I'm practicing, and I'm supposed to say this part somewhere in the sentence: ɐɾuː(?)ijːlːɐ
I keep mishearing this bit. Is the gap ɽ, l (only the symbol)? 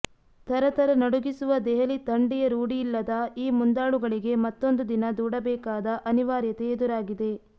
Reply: ɽ